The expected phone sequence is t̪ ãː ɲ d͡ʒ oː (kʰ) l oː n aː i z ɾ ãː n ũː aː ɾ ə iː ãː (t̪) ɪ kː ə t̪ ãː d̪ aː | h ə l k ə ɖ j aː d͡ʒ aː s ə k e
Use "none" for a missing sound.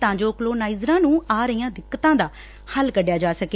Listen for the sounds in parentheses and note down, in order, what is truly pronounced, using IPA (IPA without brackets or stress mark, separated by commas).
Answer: k, d̪